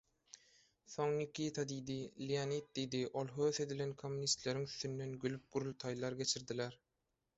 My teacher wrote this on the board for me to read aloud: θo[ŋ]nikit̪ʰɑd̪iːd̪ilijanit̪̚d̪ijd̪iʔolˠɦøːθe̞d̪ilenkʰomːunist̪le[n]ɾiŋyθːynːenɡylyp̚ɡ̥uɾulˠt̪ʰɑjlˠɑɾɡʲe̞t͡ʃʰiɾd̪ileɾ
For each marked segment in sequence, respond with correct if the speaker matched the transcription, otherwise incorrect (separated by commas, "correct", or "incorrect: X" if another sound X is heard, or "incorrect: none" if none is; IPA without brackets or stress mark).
correct, incorrect: none